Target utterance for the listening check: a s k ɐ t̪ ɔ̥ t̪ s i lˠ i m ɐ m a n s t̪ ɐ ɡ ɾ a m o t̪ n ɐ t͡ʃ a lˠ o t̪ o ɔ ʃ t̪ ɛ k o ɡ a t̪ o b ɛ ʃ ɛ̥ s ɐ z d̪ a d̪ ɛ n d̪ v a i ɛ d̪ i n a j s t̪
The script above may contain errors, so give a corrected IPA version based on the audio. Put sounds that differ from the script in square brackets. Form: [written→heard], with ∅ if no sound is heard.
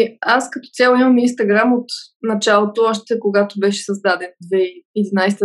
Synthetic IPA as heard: a s k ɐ t̪ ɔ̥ t̪ s [i→ɛ] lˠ i m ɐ m [a→i] n s t̪ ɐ ɡ ɾ a m o t̪ n ɐ t͡ʃ a lˠ o t̪ o ɔ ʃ t̪ ɛ k o ɡ a t̪ o b ɛ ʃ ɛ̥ s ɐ z d̪ a d̪ ɛ n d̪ v [a→ɛ] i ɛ d̪ i n a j s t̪